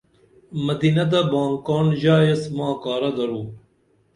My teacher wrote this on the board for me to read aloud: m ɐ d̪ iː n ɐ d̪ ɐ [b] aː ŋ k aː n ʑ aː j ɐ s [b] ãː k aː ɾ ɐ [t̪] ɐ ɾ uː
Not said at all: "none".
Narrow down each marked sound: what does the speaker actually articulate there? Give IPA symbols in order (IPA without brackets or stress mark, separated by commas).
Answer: b, m, d̪